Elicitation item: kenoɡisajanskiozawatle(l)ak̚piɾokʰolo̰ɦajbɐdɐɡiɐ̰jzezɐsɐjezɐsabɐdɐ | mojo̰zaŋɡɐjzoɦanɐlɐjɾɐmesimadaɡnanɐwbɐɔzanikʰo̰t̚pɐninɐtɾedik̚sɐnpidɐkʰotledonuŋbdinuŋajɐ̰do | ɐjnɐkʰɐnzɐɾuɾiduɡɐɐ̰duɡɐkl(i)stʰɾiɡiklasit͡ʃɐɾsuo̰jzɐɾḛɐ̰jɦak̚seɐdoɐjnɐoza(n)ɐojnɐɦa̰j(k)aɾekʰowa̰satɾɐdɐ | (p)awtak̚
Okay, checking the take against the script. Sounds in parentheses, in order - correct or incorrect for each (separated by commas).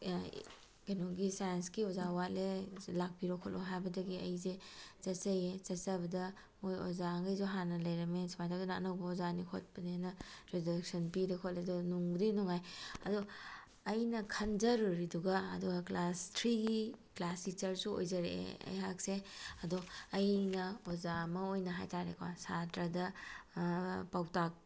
correct, incorrect, incorrect, incorrect, correct